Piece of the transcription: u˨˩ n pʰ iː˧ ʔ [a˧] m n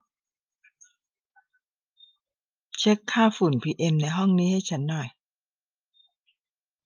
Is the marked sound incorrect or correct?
incorrect